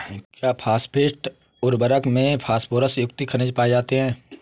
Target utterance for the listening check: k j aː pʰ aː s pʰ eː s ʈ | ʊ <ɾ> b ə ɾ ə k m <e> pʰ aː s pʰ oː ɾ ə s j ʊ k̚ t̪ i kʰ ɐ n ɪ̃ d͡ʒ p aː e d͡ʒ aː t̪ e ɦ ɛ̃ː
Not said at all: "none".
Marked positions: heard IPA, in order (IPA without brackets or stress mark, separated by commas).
ɾ, ẽ